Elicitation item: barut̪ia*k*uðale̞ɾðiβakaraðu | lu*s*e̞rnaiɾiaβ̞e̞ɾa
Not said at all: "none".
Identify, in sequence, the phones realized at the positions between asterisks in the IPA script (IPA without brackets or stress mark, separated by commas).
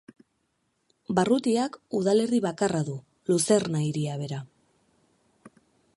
k, s